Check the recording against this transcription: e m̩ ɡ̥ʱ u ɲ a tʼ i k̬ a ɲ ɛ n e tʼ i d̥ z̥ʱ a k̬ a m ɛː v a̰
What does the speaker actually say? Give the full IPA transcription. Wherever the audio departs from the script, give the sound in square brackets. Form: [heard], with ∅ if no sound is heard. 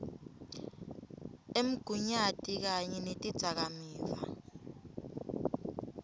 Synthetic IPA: e m̩ ɡ̥ʱ u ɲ a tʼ i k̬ a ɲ ɛ n e tʼ i d̥ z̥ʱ a k̬ a m [iː] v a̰